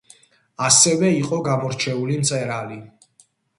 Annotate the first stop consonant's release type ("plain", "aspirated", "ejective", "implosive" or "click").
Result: ejective